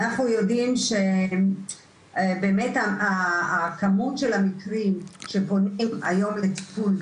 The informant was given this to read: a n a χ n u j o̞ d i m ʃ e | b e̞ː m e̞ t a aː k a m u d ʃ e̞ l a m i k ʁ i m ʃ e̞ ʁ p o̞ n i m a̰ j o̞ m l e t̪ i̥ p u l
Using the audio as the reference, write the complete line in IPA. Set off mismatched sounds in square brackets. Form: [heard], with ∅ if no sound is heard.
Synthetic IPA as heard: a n a χ n u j o̞ d i m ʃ e | b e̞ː m e̞ t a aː k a m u [t] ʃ e̞ l a m i k ʁ i m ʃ e̞ [∅] p o̞ n i m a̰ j o̞ m l e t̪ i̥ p u l